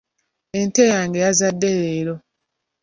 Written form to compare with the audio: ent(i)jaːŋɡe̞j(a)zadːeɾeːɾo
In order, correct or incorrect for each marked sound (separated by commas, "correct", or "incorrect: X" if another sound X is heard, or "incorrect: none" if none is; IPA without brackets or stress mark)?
incorrect: e, correct